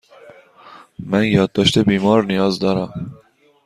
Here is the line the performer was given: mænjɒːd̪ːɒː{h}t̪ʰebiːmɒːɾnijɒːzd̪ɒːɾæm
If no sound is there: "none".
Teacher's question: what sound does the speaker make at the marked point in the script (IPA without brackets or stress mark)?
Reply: ʃ